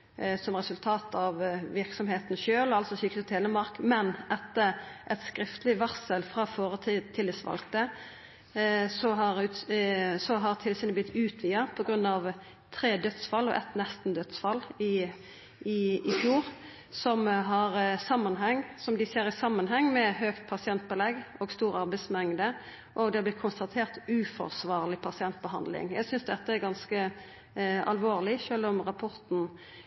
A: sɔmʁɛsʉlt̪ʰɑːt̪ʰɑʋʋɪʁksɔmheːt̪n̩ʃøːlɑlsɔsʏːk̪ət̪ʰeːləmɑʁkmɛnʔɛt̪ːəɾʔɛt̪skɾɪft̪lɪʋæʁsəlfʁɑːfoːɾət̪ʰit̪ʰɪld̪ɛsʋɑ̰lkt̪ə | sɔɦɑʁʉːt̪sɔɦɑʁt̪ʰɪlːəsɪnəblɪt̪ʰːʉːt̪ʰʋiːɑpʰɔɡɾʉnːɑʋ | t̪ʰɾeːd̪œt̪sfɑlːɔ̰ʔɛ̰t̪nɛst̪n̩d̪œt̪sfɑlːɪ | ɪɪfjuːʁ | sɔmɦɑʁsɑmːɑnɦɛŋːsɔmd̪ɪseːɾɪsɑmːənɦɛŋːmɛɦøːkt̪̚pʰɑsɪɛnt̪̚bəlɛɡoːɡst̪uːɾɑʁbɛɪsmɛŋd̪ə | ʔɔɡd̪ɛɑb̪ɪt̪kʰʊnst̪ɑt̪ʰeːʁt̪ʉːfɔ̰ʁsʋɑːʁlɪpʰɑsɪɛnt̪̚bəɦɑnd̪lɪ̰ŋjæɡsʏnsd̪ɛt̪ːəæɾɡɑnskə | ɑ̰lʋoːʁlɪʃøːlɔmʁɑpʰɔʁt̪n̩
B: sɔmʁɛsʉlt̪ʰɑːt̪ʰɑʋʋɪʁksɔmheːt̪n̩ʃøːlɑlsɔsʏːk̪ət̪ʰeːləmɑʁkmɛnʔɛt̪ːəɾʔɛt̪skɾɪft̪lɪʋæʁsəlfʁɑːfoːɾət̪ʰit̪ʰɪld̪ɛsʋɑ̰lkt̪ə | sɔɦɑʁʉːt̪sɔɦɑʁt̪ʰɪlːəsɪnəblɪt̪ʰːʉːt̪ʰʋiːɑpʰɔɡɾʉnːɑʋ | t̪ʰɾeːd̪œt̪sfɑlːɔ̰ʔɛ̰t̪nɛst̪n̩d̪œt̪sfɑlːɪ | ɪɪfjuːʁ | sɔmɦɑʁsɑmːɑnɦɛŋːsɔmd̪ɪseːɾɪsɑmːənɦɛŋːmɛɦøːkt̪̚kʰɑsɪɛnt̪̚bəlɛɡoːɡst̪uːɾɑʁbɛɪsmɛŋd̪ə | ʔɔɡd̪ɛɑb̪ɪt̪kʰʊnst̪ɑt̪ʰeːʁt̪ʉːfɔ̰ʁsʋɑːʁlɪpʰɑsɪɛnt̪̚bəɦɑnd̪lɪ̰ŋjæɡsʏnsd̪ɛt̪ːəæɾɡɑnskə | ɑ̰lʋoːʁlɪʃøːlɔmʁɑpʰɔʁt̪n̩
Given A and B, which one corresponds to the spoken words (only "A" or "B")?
A